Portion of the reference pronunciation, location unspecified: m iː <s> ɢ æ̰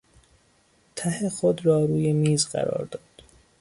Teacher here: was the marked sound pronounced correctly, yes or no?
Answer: no